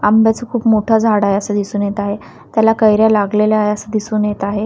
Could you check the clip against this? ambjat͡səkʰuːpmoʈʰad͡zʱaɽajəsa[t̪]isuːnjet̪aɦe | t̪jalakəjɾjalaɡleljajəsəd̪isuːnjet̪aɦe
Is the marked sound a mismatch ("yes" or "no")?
yes